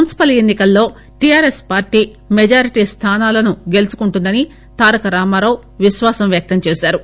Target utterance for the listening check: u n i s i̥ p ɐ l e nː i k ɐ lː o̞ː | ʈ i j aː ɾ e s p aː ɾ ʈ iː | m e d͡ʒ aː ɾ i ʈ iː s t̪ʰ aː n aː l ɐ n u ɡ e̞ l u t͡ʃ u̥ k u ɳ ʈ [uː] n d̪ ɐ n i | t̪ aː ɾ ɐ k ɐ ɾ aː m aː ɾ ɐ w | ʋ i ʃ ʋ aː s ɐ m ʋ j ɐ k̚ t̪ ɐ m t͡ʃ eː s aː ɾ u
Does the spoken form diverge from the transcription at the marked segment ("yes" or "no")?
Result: yes